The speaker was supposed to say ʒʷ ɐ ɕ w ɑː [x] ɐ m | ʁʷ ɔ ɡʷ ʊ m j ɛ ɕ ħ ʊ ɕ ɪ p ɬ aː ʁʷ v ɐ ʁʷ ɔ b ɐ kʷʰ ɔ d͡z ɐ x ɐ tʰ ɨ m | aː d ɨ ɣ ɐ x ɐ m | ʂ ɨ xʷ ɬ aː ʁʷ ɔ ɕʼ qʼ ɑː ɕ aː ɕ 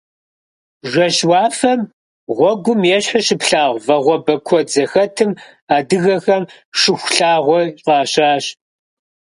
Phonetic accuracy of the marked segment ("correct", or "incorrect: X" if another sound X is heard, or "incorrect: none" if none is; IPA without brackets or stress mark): incorrect: f